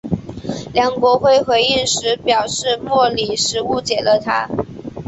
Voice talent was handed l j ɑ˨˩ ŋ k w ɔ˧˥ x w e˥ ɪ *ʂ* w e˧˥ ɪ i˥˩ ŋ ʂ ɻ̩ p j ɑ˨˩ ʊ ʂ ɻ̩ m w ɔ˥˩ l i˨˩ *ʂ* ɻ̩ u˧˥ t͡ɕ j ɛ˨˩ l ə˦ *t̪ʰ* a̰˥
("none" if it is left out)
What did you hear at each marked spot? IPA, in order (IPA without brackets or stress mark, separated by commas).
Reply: x, ʂ, t̪ʰ